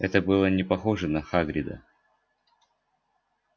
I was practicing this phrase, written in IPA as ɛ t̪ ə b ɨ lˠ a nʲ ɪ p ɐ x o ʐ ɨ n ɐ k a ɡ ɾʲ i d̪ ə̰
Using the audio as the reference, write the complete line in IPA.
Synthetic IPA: ɛ t̪ ə b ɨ lˠ ə nʲ ɪ p ɐ x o ʐ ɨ n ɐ x a ɡ ɾʲ ɪ d̪ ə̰